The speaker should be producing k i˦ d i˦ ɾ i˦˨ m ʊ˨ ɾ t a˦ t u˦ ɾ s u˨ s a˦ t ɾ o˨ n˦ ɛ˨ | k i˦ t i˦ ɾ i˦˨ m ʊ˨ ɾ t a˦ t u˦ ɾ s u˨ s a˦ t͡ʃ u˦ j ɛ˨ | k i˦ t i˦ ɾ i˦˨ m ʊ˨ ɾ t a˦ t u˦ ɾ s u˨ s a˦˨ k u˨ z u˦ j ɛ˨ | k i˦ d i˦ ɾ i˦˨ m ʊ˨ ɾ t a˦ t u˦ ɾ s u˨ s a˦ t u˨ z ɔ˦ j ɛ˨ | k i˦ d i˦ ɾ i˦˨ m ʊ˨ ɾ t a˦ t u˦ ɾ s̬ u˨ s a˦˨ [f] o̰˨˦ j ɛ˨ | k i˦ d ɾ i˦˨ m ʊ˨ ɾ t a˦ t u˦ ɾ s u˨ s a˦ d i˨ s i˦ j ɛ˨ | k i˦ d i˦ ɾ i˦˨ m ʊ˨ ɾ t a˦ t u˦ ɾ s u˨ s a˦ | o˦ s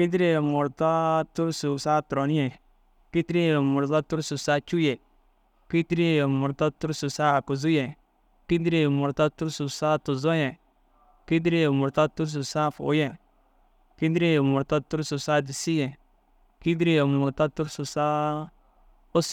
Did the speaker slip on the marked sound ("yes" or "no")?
no